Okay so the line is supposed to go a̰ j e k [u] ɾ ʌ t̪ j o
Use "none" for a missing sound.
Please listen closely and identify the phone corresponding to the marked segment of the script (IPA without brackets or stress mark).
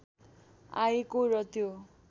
o